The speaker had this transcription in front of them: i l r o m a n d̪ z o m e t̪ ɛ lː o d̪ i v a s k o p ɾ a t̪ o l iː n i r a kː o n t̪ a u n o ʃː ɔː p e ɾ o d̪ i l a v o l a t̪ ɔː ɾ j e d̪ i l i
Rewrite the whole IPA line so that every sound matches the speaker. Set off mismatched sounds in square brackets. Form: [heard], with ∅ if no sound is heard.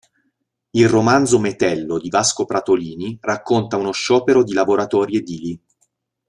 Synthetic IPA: i l r o m a n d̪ z o m e t̪ ɛ lː o d̪ i v a s k o p ɾ a t̪ o l iː n i r a kː o n t̪ a u n o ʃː ɔː p e ɾ o d̪ i l a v o [ɾ] a t̪ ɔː ɾ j e d̪ i l i